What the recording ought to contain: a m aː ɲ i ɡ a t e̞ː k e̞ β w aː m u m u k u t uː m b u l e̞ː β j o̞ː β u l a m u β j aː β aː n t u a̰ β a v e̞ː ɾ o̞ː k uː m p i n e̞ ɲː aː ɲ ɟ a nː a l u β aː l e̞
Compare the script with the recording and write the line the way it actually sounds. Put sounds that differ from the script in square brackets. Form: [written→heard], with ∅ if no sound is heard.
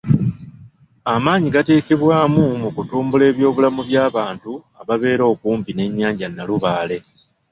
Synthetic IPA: a m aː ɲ i ɡ a t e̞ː k e̞ β w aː m u m u k u t uː m b u l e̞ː β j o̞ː β u l a m u β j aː β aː n t u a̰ β a [v→β] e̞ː ɾ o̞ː k uː m p i n e̞ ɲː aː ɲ ɟ a nː a l u β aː l e̞